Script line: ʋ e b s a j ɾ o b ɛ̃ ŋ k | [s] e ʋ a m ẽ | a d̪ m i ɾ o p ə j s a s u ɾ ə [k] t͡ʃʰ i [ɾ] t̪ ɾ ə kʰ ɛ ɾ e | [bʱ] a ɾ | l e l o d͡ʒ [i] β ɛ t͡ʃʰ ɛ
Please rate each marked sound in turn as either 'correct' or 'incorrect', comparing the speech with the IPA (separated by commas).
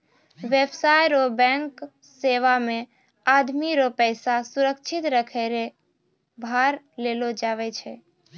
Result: correct, correct, incorrect, correct, incorrect